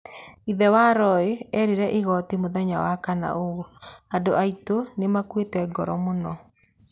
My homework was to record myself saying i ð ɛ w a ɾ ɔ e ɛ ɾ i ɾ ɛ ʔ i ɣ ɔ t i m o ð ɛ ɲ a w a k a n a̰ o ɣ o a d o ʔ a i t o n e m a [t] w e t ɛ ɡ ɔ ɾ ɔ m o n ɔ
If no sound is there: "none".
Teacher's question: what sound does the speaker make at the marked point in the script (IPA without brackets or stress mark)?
k